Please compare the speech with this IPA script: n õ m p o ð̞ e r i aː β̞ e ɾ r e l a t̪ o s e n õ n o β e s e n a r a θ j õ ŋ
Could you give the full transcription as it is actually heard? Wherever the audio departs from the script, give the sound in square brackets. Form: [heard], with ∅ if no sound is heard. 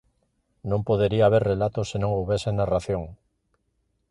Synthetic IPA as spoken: n õ m p o ð̞ e [ɾ] i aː β̞ e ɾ r e l a t̪ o s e n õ [ŋ] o β e s e n a r a θ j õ ŋ